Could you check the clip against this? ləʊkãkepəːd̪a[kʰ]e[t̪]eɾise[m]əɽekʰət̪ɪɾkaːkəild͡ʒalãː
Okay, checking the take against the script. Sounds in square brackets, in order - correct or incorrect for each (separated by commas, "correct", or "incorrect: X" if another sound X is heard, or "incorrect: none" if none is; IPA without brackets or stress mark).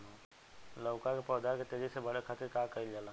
incorrect: k, correct, incorrect: b